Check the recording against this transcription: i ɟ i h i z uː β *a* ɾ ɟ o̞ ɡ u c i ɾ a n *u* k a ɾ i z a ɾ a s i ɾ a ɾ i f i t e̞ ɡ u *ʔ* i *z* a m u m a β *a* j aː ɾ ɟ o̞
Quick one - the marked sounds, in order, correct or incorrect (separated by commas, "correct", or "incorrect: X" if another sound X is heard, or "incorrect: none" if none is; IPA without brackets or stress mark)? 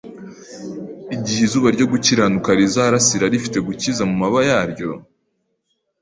correct, correct, incorrect: c, correct, correct